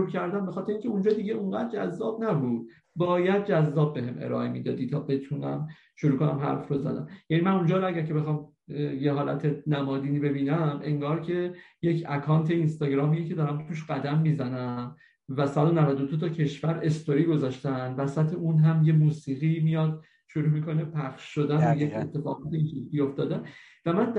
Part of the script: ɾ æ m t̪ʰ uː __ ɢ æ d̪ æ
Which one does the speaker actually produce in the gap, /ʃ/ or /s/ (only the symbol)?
ʃ